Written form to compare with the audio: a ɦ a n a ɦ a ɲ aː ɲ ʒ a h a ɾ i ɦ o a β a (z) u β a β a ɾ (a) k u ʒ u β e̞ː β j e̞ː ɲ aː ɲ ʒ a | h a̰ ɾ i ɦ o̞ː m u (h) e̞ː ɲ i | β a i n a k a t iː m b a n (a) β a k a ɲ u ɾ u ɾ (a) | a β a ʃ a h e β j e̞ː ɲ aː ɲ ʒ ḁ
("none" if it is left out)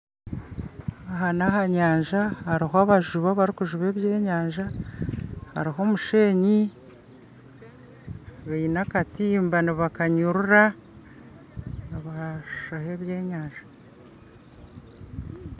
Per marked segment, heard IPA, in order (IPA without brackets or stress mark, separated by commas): ʒ, i, ʃ, i, a